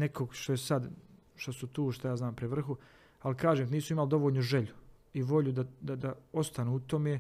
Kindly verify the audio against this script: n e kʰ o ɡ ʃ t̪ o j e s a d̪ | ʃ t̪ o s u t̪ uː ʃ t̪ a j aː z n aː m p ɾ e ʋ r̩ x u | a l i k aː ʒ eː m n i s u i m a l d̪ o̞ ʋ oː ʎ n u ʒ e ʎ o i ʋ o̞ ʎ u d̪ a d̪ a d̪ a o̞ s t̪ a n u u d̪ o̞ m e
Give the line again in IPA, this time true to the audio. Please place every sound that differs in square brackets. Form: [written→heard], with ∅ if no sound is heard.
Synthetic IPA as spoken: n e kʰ o ɡ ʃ t̪ o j e s a d̪ | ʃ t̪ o s u t̪ uː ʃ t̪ a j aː z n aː m p ɾ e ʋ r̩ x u | a l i k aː ʒ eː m n [i→iː] s u i m a l d̪ o̞ ʋ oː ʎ n u ʒ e ʎ [o→u] i ʋ o̞ ʎ u d̪ a d̪ a d̪ a o̞ s t̪ a n u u [d̪→t̪] o̞ m e